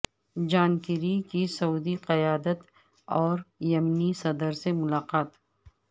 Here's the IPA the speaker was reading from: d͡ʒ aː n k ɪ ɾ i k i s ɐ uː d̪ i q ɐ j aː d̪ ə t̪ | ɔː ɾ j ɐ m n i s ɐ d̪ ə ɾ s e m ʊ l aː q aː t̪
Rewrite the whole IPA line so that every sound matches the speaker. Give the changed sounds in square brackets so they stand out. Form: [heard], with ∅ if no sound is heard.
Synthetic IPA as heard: d͡ʒ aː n k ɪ ɾ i k i s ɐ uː d̪ i q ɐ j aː d̪ ə t̪ | ɔː ɾ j ɐ m n i s ɐ d̪ ə ɾ s e m ʊ l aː q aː t̪

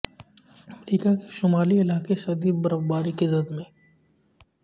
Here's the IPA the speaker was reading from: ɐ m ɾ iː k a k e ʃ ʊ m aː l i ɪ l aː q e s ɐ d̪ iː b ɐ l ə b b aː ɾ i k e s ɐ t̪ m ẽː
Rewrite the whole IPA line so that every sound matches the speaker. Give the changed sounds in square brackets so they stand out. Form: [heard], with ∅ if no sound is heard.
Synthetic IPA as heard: ɐ m ɾ iː k a k e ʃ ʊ m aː l i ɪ l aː [k] e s ɐ d̪ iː b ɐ [ɾ] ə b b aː ɾ i k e [z] ɐ [d̪] m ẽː

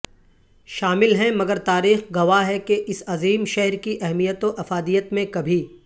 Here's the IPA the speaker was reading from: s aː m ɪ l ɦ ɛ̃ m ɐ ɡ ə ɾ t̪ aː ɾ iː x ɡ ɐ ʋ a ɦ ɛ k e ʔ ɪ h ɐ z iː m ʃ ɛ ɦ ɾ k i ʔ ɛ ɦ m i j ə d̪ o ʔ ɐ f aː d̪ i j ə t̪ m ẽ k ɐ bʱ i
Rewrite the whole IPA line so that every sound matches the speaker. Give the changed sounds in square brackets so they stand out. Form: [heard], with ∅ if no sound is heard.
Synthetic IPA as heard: [ʃ] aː m ɪ l ɦ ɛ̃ m ɐ ɡ ə ɾ t̪ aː ɾ iː x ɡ ɐ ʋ a ɦ ɛ k e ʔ ɪ [s] ɐ z iː m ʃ ɛ ɦ ɾ k i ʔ ɛ ɦ m i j ə [t̪] o ʔ ɐ f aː d̪ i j ə t̪ m ẽ k ɐ bʱ i

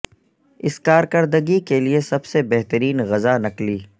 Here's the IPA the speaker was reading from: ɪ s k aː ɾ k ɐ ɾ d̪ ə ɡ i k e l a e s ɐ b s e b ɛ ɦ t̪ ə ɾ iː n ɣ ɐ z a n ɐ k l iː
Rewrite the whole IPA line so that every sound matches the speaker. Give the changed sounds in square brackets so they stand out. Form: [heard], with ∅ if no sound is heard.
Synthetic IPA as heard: ɪ s k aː ɾ k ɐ ɾ d̪ ə ɡ i k e l [i] e s ɐ b s e b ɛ ɦ t̪ ə ɾ iː n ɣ ɐ z a n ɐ k l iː

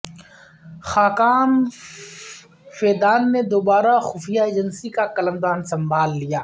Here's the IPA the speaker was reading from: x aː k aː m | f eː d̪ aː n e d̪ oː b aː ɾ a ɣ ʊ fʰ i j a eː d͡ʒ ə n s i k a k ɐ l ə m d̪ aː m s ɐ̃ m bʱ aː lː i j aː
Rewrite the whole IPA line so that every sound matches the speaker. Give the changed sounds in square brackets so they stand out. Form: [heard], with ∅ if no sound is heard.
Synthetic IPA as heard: x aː k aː m | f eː d̪ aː [nː] e d̪ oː b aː ɾ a [x] ʊ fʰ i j a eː d͡ʒ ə n s i k a k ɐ l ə m d̪ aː [n] s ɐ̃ m bʱ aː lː i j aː

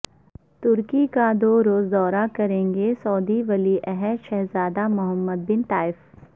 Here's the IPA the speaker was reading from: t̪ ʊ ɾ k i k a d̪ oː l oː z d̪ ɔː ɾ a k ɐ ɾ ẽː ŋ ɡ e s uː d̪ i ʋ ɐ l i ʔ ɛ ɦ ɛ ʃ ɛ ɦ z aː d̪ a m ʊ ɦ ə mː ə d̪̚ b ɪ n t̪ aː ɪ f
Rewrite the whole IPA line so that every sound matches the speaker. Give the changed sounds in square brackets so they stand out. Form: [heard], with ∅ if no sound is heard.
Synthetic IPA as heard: t̪ ʊ ɾ k i k a d̪ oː [ɾ] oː z d̪ ɔː ɾ a k ɐ ɾ ẽː ŋ ɡ e s [ɔː] d̪ i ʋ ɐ l i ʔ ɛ ɦ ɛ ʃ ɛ ɦ z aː d̪ a m ʊ ɦ ə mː ə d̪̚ b ɪ n t̪ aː ɪ f

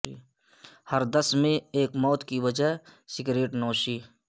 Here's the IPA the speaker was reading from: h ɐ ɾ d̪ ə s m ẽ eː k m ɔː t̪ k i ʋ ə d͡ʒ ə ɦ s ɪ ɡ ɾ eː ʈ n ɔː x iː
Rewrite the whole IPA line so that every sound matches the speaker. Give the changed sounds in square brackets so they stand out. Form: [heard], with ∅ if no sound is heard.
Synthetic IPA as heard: h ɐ ɾ d̪ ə s m ẽ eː k m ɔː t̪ k i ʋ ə d͡ʒ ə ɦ s ɪ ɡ ɾ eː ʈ n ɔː [ʃ] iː

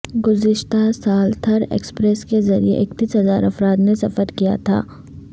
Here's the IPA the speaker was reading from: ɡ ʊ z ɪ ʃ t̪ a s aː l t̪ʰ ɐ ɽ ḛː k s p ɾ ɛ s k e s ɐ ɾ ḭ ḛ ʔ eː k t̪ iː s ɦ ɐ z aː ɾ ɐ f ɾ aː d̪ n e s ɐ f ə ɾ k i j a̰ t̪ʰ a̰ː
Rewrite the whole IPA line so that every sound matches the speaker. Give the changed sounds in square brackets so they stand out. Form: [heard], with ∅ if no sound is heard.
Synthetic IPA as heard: ɡ ʊ z ɪ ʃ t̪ a s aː l t̪ʰ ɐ [ɾ] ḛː k s p ɾ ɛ s k e [z] ɐ ɾ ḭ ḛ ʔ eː k t̪ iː s ɦ ɐ z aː ɾ ɐ f ɾ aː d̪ n e s ɐ f ə ɾ k i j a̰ t̪ʰ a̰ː

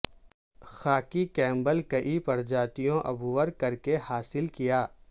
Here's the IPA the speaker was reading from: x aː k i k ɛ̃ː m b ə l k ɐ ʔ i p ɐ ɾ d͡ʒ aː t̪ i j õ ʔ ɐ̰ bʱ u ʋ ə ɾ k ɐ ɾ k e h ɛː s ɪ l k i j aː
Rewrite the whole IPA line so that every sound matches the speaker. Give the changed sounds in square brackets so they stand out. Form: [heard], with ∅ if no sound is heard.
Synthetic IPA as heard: x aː k i k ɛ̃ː m b ə l k ɐ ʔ i p ɐ ɾ d͡ʒ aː t̪ i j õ ʔ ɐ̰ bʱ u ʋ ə ɾ k ɐ ɾ k e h [aː] s ɪ l k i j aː

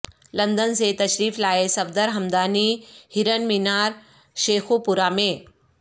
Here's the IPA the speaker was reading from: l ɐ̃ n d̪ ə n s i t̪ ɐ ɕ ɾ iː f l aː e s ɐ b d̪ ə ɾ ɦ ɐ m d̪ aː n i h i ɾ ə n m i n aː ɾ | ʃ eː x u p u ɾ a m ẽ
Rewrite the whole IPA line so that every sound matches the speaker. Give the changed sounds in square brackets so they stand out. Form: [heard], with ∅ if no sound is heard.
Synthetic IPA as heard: l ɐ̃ n d̪ ə n s [e] t̪ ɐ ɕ ɾ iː f l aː e s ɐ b d̪ ə ɾ ɦ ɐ m d̪ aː n i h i ɾ ə n m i n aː ɾ | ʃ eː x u p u ɾ a m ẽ

